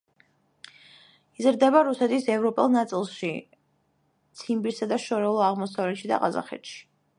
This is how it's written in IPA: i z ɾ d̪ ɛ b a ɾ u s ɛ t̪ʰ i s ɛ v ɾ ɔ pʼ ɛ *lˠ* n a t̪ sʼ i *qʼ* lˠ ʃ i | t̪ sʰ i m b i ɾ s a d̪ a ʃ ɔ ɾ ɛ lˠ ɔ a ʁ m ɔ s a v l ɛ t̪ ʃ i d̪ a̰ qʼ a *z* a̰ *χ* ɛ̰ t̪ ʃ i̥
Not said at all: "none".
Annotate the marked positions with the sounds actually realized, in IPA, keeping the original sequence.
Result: lˠ, none, z, χ

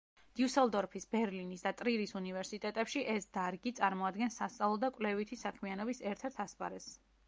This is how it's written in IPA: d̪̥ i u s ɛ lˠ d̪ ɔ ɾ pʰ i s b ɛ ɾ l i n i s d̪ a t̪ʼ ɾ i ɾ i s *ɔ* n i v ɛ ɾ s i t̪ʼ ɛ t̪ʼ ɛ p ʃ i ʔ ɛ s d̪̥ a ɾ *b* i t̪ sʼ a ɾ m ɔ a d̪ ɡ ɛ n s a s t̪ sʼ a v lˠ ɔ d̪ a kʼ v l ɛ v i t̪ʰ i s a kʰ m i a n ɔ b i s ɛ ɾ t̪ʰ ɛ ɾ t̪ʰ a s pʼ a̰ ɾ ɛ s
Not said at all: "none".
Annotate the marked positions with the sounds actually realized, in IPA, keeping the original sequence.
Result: u, ɡ

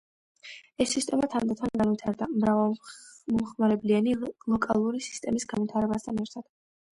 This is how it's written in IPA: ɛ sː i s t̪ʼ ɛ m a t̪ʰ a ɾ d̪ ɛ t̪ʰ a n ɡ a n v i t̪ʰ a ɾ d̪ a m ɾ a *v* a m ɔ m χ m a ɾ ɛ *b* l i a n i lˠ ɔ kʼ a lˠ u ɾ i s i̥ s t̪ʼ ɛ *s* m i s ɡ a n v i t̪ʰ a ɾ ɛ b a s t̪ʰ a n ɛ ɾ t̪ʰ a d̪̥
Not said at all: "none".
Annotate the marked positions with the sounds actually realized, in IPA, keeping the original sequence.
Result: v, b, none

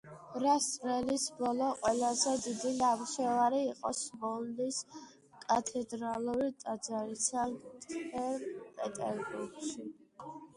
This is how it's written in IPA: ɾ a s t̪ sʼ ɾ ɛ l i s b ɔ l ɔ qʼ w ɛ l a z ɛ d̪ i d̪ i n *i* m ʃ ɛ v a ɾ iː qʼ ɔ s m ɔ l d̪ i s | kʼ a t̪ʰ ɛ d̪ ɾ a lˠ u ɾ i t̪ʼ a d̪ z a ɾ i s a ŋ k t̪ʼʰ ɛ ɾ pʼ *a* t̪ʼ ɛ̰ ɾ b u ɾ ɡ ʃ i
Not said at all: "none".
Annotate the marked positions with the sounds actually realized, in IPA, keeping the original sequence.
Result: a, ɛ

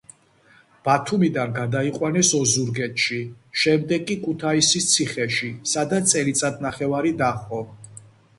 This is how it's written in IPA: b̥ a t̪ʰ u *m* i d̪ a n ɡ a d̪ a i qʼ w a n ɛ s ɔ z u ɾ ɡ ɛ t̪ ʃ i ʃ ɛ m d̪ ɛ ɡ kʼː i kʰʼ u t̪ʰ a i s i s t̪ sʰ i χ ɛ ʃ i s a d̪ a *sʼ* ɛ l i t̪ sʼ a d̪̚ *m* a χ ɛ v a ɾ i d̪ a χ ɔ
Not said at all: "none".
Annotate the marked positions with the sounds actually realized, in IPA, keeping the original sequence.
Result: m, sʼ, n

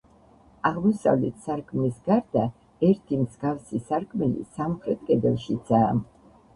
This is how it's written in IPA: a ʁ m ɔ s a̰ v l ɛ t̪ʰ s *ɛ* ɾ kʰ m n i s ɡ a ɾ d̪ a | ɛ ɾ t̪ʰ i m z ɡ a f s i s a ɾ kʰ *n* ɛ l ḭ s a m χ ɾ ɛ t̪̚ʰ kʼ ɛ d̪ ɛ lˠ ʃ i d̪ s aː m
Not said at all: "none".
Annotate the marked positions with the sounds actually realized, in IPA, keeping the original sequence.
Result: a, m

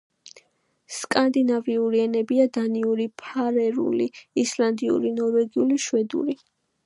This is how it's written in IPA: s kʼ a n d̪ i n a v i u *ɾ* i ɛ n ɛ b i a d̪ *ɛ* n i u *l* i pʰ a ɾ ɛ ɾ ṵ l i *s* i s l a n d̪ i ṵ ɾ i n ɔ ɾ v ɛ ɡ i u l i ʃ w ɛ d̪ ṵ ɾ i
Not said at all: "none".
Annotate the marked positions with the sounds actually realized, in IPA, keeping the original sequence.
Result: ɾ, a, ɾ, none

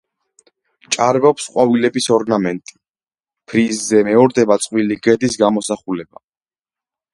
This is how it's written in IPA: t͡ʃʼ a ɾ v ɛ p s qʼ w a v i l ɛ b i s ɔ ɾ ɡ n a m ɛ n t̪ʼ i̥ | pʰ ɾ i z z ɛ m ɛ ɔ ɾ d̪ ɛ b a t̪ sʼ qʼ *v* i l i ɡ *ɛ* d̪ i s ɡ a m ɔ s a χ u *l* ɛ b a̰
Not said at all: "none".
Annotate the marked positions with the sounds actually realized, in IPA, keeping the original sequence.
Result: w, ɛ, l

